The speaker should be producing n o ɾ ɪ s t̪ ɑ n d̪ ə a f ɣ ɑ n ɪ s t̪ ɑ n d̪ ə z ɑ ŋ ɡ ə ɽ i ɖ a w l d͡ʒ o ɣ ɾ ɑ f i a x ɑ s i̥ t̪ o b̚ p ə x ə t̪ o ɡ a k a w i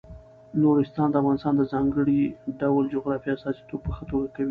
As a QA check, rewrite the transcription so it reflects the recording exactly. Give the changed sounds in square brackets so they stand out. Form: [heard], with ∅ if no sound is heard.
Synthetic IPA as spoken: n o ɾ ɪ s t̪ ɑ n d̪ ə a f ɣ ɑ n ɪ s t̪ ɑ n d̪ ə z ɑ ŋ ɡ ə ɽ i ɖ a w l d͡ʒ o ɣ ɾ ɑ f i a [s] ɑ s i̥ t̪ o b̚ p ə x ə t̪ o ɡ a k a w i